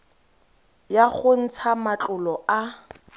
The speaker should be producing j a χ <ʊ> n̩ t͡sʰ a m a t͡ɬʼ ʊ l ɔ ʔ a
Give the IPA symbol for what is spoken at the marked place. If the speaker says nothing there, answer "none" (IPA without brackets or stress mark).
ʊ